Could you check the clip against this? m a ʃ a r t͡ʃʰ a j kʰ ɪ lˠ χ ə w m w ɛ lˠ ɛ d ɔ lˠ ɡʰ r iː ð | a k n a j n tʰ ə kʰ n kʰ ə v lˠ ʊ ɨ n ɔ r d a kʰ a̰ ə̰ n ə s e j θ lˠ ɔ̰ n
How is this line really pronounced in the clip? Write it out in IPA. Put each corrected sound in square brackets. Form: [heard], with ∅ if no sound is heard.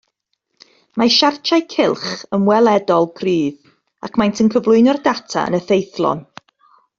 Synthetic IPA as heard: m a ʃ a r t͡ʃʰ a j kʰ ɪ lˠ χ ə [∅] m w ɛ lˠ ɛ d ɔ lˠ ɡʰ r iː ð | a k [m] a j n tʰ ə [∅] n kʰ ə v lˠ ʊ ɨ n ɔ r d a [tʰ] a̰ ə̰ n ə [θ] e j θ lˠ ɔ̰ n

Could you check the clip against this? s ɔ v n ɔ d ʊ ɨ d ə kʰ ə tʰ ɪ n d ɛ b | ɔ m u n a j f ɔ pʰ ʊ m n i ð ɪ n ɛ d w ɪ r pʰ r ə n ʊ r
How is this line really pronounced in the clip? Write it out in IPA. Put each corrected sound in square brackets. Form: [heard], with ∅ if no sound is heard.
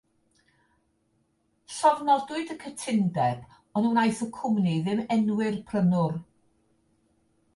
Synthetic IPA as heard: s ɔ v n ɔ d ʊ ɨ d ə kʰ ə tʰ ɪ n d ɛ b | ɔ [n] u n a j [θ] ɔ [kʰ] ʊ m n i ð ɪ [m] ɛ [n] w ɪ r pʰ r ə n ʊ r

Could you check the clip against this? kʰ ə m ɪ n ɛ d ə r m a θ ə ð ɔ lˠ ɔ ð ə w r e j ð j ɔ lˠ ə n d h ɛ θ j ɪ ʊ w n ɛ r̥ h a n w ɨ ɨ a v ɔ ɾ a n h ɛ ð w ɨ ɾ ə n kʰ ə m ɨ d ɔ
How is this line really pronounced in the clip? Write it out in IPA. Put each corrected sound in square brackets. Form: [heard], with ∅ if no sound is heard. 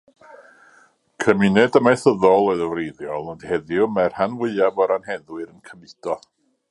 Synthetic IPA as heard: kʰ ə m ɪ n ɛ d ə [∅] m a θ ə ð ɔ lˠ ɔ ð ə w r e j ð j ɔ lˠ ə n d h ɛ [ð] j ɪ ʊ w [m] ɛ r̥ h a n w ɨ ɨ a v ɔ ɾ a n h ɛ ð w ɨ ɾ ə n kʰ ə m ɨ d ɔ

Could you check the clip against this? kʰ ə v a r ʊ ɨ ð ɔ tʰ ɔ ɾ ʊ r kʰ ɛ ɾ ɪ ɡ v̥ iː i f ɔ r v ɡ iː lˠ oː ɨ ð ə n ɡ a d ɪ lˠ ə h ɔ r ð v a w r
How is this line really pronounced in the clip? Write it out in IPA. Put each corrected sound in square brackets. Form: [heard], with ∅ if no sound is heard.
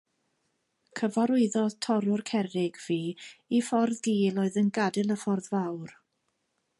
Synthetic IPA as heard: kʰ ə v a [ɾ] ʊ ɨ ð ɔ tʰ ɔ ɾ ʊ r kʰ ɛ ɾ ɪ ɡ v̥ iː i f ɔ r [ð] ɡ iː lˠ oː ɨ ð ə n ɡ a d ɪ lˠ ə [f] ɔ r ð v a w r

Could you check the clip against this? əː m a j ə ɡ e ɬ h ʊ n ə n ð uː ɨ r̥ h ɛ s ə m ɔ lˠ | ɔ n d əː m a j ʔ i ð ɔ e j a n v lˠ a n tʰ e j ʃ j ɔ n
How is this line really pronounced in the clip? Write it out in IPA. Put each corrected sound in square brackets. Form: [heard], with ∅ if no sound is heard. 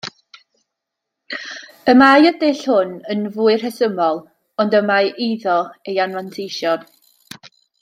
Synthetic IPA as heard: [ə] m a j ə [d] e ɬ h ʊ n ə n [v] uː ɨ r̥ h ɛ s ə m ɔ lˠ | ɔ n d [ə] m a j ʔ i ð ɔ e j a n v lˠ a n tʰ e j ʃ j ɔ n

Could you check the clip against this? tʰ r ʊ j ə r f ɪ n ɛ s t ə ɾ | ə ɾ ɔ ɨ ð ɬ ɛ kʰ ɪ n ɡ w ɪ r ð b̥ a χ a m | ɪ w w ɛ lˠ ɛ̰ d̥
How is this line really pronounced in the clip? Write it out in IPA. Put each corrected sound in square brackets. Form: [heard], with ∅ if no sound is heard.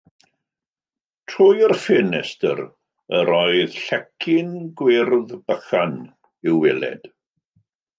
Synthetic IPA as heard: tʰ r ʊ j ə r f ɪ n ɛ s t ə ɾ | ə ɾ ɔ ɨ ð ɬ ɛ kʰ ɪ n ɡ w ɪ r ð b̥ [ə] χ a [n] | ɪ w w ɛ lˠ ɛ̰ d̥

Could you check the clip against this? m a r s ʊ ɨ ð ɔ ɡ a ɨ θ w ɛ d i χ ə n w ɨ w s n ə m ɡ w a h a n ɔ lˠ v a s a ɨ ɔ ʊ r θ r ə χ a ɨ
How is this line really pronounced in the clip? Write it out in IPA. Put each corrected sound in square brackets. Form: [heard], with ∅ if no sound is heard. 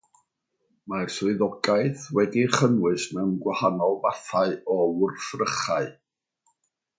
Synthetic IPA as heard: m a r s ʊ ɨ ð ɔ ɡ a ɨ θ w ɛ d i χ ə n w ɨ [∅] s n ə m ɡ w a h a n ɔ lˠ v a [θ] a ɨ ɔ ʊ r θ r ə χ a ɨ

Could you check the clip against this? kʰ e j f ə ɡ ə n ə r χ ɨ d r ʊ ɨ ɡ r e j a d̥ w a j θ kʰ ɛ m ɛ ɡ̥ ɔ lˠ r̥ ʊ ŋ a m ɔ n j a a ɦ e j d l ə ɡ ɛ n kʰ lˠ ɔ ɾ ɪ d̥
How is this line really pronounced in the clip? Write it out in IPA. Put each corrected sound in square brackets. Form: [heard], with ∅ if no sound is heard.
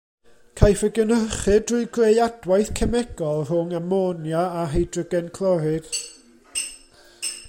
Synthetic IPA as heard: kʰ [a] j f ə ɡ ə n ə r χ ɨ d r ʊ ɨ ɡ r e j a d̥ w a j θ kʰ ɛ m ɛ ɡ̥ ɔ lˠ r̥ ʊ ŋ a m ɔ n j a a ɦ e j d [r] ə ɡ ɛ n kʰ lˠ ɔ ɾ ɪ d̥

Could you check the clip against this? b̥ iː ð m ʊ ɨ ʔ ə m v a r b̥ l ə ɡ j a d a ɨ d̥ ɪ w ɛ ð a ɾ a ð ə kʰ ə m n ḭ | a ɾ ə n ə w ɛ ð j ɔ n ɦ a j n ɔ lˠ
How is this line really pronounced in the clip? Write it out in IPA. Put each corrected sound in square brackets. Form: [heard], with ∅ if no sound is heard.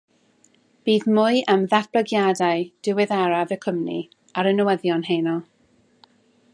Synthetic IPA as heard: b̥ iː ð m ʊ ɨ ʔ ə m [ð] a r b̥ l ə ɡ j a d a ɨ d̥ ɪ w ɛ ð a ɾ a [v] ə kʰ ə m n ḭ | a ɾ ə n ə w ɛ ð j ɔ n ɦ [e] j n ɔ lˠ

